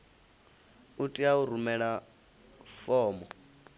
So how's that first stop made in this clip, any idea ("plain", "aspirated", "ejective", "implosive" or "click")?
ejective